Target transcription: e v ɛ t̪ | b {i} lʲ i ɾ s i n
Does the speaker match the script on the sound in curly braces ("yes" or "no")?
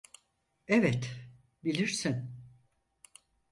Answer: yes